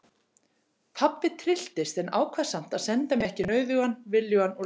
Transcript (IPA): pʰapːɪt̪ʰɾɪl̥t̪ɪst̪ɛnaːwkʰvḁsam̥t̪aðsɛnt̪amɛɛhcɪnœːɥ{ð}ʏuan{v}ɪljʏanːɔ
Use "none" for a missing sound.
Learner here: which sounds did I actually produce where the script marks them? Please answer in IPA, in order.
ð, v

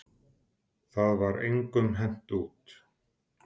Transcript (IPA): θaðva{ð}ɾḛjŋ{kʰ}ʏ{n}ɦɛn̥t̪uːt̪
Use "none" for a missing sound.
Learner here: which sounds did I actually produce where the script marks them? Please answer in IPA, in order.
none, k, m

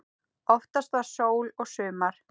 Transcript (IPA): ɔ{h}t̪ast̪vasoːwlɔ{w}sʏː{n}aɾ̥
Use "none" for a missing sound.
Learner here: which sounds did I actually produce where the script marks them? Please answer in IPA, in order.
f, ɣ, m

